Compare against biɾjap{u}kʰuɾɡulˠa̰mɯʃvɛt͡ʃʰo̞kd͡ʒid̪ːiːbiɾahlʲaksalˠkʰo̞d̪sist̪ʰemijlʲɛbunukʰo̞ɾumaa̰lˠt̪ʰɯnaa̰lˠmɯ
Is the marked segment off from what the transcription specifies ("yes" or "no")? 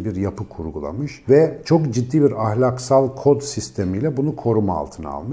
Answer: yes